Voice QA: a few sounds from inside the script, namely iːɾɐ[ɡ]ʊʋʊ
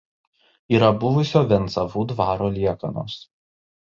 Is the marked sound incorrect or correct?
incorrect